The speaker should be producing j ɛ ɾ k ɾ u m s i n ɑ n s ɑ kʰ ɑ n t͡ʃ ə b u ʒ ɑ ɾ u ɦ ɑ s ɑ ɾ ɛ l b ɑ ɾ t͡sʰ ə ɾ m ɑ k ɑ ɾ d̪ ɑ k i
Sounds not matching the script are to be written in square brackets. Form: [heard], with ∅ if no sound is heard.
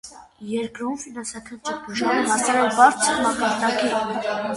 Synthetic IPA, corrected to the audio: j ɛ ɾ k ɾ u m [f] i n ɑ n s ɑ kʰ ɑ n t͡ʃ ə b u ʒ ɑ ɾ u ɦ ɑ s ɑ ɾ ɛ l b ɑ ɾ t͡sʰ ə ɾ m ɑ k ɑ ɾ d̪ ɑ k i